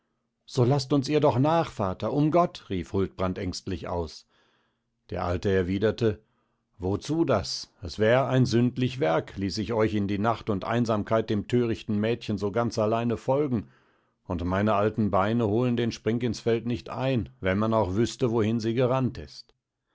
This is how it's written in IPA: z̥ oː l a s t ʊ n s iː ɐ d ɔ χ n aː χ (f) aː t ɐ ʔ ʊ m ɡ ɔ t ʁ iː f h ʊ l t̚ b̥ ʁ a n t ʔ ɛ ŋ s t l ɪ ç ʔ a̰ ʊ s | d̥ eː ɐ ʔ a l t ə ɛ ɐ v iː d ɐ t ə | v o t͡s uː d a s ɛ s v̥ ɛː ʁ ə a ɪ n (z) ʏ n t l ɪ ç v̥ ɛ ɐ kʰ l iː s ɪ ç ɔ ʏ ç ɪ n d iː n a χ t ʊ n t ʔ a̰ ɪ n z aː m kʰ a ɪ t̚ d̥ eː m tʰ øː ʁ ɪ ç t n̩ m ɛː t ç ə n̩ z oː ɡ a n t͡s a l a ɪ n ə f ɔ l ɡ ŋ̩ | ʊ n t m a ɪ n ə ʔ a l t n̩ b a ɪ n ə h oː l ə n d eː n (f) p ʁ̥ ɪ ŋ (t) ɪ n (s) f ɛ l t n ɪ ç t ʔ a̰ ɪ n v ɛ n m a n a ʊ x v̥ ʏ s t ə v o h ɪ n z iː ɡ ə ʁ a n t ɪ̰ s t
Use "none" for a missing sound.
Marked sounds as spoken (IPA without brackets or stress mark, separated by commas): f, z, ʃ, k, s